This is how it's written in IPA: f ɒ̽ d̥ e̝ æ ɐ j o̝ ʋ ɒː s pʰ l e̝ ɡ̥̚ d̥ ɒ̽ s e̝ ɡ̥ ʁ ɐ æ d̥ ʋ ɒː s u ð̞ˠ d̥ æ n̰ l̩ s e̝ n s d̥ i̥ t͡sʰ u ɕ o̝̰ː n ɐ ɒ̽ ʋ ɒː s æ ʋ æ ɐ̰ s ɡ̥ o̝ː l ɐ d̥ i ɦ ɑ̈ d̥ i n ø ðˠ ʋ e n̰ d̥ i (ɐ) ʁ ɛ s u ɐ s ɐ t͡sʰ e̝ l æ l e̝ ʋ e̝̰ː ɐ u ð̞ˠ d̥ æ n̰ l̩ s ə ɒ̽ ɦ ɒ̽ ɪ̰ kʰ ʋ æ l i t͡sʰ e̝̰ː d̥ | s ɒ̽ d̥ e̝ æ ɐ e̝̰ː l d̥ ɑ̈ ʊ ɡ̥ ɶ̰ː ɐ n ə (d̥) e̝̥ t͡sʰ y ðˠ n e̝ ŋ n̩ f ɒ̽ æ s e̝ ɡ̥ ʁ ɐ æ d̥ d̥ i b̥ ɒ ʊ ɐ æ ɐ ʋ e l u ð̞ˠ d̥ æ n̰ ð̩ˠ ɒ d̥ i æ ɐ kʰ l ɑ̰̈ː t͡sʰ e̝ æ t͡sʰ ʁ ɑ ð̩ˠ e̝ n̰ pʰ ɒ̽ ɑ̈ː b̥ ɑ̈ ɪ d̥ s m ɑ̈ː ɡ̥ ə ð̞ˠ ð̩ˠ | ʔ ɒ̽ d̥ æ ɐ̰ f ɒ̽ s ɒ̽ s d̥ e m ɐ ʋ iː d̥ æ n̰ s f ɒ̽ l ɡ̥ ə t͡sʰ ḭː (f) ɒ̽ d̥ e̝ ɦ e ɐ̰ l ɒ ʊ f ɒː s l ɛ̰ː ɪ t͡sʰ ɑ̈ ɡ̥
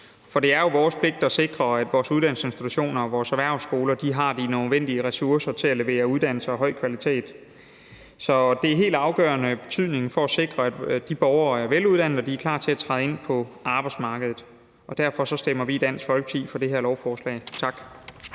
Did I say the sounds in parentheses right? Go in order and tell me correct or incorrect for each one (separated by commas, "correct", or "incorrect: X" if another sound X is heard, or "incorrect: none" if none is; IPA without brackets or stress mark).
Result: incorrect: ə, incorrect: b̥, correct